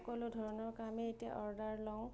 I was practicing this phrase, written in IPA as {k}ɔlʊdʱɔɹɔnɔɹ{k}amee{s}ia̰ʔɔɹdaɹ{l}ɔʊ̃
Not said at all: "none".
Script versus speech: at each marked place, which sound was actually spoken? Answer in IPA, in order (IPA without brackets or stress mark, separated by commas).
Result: k, k, t, l